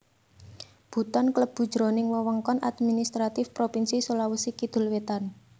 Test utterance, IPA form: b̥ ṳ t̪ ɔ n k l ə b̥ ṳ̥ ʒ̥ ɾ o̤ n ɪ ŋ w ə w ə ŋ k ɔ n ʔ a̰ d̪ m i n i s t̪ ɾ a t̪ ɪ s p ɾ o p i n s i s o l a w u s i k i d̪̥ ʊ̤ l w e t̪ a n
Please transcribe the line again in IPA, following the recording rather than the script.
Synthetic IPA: b̥ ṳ t̪ ɔ n k l ə b̥ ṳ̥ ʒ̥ ɾ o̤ n ɪ ŋ w ə w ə ŋ k ɔ n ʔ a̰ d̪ m i n i s t̪ ɾ a t̪ ɪ f p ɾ o p i n s i s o l a w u s i k i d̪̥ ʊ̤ l w e t̪ a n